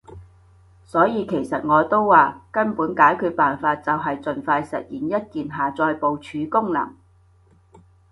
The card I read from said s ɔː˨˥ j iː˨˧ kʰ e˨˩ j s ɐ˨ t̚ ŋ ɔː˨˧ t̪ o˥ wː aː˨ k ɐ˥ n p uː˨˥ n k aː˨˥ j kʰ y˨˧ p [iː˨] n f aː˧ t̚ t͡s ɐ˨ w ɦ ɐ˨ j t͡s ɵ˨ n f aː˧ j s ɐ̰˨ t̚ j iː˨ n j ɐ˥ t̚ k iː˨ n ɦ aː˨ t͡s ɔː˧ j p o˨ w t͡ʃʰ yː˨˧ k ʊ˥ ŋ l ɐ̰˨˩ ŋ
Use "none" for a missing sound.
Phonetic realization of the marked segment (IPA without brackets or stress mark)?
aː˨